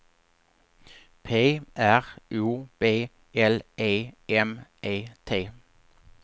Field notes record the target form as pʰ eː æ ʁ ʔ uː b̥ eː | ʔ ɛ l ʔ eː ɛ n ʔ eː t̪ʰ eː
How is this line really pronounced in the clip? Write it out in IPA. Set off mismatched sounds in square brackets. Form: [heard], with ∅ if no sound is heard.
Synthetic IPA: pʰ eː æ ʁ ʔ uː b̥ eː | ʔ ɛ l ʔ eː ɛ [m] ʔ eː t̪ʰ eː